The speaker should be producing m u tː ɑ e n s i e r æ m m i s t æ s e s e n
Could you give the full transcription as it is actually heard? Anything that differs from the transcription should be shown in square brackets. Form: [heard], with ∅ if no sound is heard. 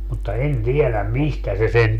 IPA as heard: m u tː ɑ e n [t] i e [l] æ m m i s t æ s e s e n